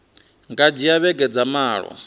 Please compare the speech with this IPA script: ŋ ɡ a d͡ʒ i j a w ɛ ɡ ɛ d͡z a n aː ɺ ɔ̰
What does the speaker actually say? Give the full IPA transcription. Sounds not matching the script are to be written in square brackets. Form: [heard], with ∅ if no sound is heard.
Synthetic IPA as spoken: ŋ ɡ a d͡ʒ i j a [β] ɛ ɡ ɛ d͡z a [m] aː ɺ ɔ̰